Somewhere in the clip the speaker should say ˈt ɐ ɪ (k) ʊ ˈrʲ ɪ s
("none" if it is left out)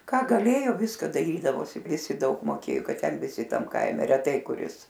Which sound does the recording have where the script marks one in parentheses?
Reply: k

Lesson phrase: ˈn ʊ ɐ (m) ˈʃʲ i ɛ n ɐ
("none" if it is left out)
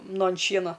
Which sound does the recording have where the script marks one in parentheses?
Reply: n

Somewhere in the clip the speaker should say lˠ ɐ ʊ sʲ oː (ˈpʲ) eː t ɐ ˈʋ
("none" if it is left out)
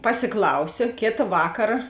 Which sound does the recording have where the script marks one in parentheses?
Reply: kʲ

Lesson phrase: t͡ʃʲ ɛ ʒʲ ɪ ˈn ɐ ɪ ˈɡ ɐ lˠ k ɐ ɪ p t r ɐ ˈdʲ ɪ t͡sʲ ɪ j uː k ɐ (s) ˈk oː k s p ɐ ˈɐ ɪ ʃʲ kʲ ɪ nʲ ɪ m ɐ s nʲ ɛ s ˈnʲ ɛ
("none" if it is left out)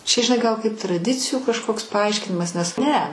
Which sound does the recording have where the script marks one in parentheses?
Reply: ʃ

